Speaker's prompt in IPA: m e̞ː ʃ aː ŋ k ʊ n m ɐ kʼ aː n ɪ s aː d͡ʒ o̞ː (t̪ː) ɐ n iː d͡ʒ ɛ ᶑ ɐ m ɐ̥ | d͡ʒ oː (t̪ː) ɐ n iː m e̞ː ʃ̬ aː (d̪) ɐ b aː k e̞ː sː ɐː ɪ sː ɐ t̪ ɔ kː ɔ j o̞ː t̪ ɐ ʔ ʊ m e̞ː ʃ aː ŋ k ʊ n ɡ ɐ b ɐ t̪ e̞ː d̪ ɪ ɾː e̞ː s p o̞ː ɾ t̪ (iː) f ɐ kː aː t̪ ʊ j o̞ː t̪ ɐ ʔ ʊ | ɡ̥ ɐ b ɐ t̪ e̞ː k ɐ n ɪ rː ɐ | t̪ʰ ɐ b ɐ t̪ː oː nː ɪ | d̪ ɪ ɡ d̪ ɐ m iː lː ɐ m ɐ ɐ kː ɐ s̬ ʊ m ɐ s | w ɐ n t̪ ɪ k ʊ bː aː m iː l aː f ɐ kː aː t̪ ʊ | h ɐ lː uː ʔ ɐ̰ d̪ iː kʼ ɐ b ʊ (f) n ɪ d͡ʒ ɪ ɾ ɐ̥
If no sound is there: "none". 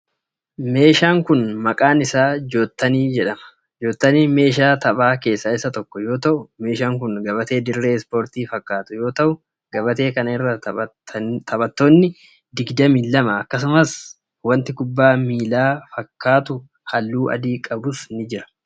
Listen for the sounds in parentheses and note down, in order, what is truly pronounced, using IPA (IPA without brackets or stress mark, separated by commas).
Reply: t̪ː, t̪ː, t̪, iː, s